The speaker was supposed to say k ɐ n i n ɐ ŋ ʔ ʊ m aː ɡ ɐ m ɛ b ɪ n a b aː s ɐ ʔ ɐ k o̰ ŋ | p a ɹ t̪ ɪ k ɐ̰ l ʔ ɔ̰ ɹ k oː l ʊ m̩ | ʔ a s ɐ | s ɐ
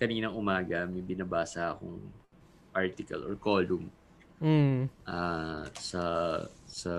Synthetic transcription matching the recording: k ɐ n iː n ɐ ŋ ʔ ʊ m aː ɡ ɐ m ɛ b ɪ n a b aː s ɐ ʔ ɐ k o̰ ŋ | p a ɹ t̪ ɪ k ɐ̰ l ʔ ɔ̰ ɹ k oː l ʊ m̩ | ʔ a s ɐ | s ɐ